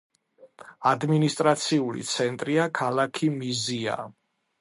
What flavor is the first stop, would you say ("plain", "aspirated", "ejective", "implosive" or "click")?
plain